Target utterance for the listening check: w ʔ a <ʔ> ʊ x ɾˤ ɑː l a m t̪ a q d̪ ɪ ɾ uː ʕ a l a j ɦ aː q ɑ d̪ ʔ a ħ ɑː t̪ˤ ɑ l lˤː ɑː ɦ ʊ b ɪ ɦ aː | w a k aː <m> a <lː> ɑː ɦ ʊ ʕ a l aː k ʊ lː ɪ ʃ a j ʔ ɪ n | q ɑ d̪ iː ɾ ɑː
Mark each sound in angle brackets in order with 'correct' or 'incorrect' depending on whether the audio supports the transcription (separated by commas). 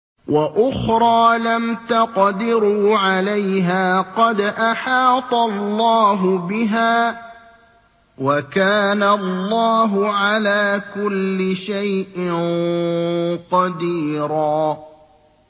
correct, incorrect, correct